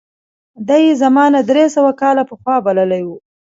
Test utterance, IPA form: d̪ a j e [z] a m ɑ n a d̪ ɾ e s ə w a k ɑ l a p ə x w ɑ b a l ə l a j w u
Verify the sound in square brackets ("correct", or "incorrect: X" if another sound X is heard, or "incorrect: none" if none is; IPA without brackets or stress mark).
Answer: correct